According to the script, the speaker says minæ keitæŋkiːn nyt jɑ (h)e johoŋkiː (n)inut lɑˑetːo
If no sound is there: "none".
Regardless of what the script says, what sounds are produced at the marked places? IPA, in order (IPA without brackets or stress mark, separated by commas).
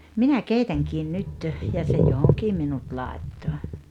s, m